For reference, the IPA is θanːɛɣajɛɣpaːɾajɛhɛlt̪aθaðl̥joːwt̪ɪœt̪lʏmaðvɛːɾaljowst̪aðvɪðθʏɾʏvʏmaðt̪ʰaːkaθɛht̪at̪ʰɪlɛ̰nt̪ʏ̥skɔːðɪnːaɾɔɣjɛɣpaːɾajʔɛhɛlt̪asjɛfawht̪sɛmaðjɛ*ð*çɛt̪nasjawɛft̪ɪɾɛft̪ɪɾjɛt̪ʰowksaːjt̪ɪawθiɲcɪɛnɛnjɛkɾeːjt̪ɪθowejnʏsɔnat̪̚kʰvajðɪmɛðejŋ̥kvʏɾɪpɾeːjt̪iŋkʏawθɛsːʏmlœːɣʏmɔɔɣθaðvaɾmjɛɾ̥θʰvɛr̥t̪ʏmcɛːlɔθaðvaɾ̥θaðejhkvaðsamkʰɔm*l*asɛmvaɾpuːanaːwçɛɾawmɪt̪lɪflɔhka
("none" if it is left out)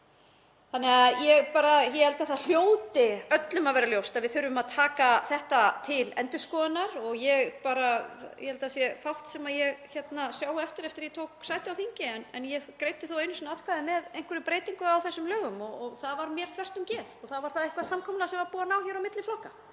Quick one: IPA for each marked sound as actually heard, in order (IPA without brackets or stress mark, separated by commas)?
ɣ, l